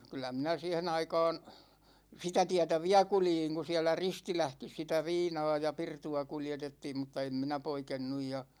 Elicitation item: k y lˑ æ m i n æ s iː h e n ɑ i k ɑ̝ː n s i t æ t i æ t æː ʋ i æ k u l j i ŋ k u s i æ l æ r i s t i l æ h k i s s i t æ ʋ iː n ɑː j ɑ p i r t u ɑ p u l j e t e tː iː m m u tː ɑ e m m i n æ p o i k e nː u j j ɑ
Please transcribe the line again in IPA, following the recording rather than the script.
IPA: k y lˑ æ m i n æ s iː h e n ɑ i k ɑ̝ː n s i t æ t i æ t æ ʋ i æ k u l j i ŋ k u s i æ l æ r i s t i l æ h k i s s i t æ ʋ iː n ɑː j ɑ p i r t u ɑ k u l j e t e tː iː m m u tː ɑ e m m i n æ p o i k e nː u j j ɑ